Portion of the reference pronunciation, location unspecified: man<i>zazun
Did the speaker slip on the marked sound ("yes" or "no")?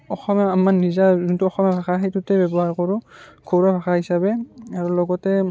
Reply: no